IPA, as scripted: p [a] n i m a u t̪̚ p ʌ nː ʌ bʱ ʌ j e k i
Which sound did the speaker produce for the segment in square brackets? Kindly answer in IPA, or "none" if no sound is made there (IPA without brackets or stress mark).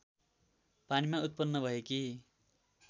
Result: a